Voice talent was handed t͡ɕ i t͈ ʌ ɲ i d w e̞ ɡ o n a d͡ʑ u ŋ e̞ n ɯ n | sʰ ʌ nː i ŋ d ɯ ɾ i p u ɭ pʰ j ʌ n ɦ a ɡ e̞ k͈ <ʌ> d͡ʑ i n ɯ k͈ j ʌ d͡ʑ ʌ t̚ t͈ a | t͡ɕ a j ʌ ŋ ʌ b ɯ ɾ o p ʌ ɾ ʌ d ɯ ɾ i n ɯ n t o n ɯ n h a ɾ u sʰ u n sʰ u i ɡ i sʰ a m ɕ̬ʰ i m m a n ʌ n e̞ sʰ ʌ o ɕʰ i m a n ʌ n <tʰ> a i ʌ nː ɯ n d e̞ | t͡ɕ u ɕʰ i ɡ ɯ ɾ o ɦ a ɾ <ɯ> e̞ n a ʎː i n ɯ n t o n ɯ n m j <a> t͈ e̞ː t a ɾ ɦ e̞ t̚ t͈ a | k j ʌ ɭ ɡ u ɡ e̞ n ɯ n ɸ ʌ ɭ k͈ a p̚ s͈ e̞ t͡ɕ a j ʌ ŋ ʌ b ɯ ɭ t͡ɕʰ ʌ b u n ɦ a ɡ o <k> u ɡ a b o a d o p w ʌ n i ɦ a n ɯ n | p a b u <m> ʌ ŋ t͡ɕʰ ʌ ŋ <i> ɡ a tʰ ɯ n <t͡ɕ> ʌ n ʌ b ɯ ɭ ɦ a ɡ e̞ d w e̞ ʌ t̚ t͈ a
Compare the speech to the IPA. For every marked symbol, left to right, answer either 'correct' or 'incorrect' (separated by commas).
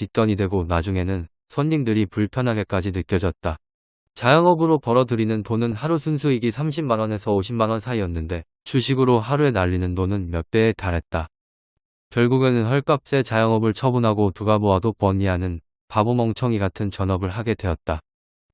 incorrect, incorrect, incorrect, incorrect, incorrect, correct, correct, correct